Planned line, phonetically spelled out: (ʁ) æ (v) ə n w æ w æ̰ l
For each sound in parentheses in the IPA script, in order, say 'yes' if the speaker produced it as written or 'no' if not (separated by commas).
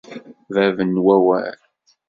no, yes